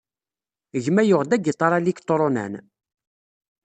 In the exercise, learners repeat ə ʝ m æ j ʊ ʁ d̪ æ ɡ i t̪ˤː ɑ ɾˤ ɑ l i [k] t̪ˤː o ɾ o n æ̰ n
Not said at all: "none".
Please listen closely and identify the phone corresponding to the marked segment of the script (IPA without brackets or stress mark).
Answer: k